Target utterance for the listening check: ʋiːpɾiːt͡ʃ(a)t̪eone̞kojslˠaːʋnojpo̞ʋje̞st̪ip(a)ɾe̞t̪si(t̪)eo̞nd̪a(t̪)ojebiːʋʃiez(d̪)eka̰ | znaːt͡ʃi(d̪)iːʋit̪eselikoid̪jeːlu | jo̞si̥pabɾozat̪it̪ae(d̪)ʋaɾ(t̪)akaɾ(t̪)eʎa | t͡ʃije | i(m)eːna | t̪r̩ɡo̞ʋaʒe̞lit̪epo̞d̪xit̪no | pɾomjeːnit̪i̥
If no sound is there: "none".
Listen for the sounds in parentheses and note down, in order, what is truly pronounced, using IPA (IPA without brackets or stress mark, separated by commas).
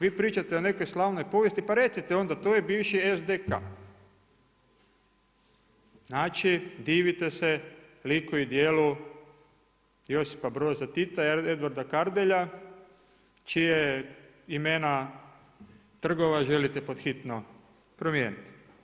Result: a, a, t̪, t̪, d̪, d̪, d̪, d̪, d̪, m